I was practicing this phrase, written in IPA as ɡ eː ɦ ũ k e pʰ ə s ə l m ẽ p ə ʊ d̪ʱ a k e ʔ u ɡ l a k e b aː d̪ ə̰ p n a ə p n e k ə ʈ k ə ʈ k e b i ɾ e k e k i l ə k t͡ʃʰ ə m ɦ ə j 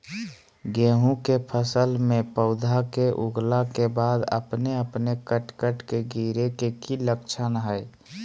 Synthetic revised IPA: ɡ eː ɦ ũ k e pʰ ə s ə l m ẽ p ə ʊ d̪ʱ a k e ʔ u ɡ l a k e b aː d̪ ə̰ p n e ə p n e k ə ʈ k ə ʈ k e ɡ i ɾ e k e k i l ə k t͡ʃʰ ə n ɦ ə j